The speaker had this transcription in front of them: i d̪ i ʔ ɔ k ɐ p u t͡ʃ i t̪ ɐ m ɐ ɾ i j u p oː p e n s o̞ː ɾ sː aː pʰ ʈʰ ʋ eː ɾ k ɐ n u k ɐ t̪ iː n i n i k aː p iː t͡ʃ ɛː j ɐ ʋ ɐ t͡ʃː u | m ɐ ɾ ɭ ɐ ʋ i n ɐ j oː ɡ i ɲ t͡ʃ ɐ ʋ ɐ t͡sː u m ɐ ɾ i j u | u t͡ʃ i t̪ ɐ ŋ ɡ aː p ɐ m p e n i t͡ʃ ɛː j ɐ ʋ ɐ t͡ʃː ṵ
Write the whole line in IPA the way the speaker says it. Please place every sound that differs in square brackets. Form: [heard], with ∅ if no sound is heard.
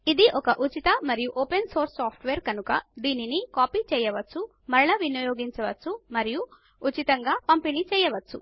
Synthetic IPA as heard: i d̪ i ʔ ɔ k ɐ [ʔ] u t͡ʃ i t̪ ɐ m ɐ ɾ i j u [ʔ] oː p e n s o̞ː ɾ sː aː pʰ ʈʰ ʋ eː ɾ k ɐ n u k ɐ [d̪] iː n i n i k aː p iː t͡ʃ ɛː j ɐ ʋ ɐ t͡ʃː u | m ɐ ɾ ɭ ɐ ʋ i n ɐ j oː ɡ i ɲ t͡ʃ ɐ ʋ ɐ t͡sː u m ɐ ɾ i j u | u t͡ʃ i t̪ ɐ ŋ ɡ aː p ɐ m p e n i t͡ʃ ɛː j ɐ ʋ ɐ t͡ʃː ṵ